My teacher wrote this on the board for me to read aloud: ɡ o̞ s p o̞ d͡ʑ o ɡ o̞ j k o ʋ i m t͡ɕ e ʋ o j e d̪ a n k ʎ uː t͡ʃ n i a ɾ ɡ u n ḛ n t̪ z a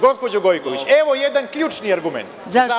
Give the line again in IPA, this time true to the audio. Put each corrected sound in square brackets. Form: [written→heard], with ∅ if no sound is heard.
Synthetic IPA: ɡ o̞ s p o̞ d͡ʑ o ɡ o̞ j k o ʋ i [m→∅] t͡ɕ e ʋ o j e d̪ a n k ʎ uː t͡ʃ n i a ɾ ɡ u [n→m] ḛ n t̪ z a